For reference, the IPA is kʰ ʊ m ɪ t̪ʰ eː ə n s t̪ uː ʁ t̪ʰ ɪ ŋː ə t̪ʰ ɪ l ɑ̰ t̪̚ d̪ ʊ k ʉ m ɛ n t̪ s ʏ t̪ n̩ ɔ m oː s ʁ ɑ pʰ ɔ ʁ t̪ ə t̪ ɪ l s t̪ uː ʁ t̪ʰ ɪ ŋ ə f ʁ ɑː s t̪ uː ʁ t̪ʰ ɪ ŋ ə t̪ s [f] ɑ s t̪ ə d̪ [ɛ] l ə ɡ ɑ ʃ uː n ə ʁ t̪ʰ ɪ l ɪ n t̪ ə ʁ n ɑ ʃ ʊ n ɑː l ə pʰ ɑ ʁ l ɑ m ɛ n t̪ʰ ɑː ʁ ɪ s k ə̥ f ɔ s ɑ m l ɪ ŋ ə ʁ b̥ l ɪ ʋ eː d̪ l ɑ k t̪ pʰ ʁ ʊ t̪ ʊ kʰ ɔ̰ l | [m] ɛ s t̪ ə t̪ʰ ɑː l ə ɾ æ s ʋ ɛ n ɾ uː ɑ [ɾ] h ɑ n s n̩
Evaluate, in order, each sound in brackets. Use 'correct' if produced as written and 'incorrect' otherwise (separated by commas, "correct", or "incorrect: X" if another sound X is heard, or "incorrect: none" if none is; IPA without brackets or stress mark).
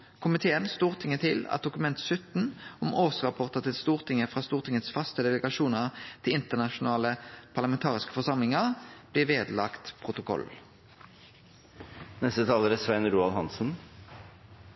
correct, correct, incorrect: n, incorrect: l